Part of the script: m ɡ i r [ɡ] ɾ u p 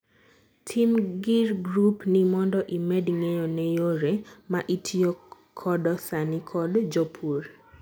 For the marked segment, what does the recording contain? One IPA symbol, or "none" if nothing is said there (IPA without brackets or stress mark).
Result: ɡ